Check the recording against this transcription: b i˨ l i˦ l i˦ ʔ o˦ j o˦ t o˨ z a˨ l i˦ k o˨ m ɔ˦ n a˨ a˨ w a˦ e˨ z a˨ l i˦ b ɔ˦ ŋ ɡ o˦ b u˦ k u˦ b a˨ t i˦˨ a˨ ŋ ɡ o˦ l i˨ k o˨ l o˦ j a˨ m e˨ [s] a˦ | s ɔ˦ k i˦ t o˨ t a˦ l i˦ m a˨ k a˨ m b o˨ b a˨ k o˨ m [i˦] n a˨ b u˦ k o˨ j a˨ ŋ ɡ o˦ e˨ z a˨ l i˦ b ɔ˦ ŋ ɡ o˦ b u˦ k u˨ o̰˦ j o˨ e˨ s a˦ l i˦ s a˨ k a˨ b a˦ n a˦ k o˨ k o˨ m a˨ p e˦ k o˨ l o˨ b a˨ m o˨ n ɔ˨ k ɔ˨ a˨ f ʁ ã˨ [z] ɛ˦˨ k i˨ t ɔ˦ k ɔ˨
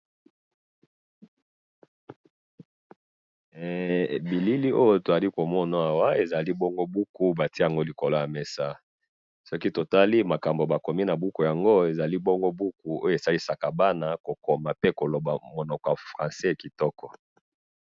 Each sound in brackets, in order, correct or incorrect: correct, correct, incorrect

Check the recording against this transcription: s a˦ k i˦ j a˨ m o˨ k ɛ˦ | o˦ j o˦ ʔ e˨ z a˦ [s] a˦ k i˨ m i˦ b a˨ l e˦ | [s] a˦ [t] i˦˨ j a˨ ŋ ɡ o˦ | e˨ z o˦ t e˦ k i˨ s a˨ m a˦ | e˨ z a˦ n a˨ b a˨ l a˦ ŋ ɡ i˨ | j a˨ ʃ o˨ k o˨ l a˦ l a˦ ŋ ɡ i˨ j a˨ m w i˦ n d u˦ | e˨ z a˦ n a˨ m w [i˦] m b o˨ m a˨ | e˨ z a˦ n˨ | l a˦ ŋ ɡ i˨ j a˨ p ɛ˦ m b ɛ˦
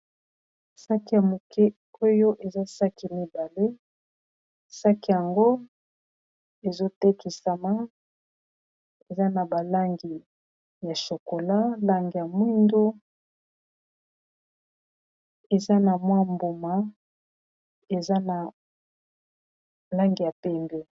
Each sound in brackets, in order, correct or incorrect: correct, correct, incorrect, incorrect

